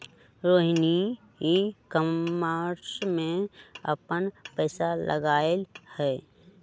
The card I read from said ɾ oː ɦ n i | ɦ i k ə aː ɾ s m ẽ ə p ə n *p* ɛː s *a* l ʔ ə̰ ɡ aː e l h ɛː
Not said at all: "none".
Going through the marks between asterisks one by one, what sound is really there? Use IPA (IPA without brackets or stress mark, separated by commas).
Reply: p, a